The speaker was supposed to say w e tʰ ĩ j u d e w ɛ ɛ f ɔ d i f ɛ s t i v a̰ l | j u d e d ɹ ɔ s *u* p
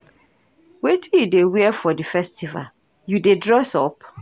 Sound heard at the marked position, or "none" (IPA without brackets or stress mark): ɔ